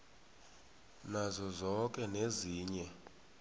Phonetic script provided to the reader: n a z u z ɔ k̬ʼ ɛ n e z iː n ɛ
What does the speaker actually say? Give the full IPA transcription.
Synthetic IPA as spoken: n a z ɔ z ɔ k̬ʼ ɛ n e z iː ɲ ɛ